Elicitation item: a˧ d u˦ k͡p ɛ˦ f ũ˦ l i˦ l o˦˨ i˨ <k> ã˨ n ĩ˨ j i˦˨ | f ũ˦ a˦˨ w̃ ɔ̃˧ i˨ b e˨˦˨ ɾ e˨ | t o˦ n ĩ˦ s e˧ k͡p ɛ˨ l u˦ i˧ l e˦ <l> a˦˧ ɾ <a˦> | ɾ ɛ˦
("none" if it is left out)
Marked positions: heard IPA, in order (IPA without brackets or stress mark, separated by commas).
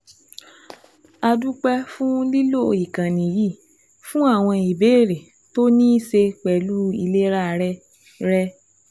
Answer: k, ɾ, ɛ˦